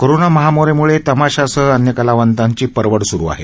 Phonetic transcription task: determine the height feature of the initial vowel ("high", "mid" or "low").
mid